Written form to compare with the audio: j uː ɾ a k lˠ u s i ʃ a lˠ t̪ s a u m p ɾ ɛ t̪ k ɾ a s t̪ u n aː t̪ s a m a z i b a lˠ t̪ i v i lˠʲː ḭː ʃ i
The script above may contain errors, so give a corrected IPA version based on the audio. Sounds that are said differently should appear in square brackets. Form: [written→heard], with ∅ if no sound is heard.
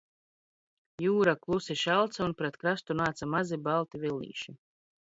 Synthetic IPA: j uː ɾ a k lˠ u s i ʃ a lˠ t̪ s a u [m→n] p ɾ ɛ t̪ k ɾ a s t̪ u n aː t̪ s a m a z i b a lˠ t̪ i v i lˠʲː ḭː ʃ i